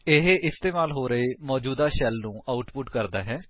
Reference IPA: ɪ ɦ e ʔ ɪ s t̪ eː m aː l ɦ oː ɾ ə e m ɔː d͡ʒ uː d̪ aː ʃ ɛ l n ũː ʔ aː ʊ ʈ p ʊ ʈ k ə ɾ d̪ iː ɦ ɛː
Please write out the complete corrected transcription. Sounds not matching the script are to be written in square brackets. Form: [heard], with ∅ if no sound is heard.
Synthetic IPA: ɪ ɦ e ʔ ɪ s t̪ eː m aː l ɦ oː ɾ ə e m ɔː d͡ʒ uː d̪ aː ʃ ɛ l n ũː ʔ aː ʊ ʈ p ʊ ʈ k ə ɾ d̪ [aː] ɦ ɛː